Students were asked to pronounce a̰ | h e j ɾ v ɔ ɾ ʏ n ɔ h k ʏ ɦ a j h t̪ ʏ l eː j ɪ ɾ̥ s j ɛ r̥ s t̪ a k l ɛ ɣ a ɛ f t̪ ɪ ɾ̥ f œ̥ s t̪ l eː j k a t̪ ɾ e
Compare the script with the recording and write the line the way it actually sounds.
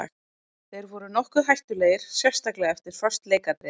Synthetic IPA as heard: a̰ | θ e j ɾ v ɔ ɾ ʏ n ɔ h k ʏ ɦ a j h t̪ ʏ l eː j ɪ ɾ̥ s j ɛ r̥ s t̪ a k l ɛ ɣ a ɛ f t̪ ɪ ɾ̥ f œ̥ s t̪ l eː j k a t̪ ɾ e